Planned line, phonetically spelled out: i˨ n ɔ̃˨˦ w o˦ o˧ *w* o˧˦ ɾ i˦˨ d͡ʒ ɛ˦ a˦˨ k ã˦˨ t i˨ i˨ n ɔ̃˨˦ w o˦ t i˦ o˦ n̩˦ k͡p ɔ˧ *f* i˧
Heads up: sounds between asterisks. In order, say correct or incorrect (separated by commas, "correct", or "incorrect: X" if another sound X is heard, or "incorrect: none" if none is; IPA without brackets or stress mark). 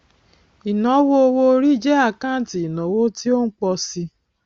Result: correct, incorrect: s